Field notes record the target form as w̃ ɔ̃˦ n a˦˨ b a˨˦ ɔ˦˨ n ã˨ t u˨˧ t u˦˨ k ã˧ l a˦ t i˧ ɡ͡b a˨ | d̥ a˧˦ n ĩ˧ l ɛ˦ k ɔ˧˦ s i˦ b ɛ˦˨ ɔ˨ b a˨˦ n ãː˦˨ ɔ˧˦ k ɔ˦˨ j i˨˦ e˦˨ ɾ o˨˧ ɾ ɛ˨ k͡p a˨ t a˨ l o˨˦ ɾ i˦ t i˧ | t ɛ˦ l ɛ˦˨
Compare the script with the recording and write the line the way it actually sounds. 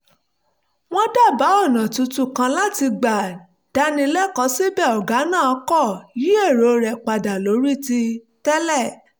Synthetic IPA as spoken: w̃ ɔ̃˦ d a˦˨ b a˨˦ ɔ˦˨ n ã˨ t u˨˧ t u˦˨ k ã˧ l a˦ t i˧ ɡ͡b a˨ | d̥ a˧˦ n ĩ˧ l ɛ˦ k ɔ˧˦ s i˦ b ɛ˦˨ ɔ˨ ɡ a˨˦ n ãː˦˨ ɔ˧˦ k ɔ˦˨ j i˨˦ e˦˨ ɾ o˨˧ ɾ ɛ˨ k͡p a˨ d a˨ l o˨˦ ɾ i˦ t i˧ | t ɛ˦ l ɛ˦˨